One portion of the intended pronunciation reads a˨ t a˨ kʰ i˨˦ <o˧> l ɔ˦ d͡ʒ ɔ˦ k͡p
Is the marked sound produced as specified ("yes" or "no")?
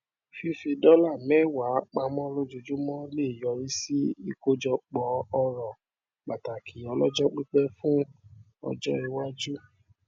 no